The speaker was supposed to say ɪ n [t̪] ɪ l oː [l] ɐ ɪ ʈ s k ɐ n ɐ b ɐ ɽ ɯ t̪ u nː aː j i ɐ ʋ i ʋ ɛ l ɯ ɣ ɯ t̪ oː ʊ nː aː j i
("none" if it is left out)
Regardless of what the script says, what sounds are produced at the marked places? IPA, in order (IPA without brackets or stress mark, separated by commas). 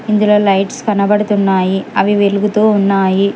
d̪, l